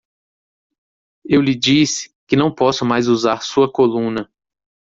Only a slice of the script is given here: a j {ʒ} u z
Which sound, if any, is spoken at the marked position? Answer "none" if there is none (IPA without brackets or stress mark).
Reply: z